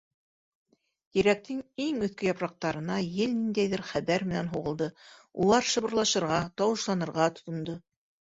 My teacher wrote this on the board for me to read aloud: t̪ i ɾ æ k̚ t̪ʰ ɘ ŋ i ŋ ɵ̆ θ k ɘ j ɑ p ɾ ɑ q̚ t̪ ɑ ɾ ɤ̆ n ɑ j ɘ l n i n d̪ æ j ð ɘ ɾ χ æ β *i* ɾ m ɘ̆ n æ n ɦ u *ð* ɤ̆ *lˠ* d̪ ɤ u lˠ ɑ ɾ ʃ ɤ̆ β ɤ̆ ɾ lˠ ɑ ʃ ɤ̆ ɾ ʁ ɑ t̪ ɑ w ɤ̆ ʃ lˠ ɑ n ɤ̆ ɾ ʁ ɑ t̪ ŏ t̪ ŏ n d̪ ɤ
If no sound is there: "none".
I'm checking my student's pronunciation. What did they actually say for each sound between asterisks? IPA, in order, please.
æ, ʁ, lˠ

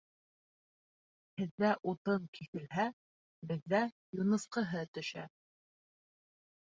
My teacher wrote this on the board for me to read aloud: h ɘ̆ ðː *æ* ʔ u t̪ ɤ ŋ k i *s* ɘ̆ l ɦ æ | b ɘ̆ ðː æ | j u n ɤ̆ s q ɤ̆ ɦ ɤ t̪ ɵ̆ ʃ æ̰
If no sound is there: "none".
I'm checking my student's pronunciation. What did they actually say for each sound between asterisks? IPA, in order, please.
æ, θ

